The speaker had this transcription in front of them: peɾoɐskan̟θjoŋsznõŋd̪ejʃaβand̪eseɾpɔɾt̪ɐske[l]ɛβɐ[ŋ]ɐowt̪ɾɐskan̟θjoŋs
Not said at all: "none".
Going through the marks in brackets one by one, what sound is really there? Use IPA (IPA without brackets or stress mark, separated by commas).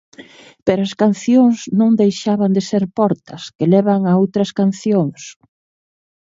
l, ŋ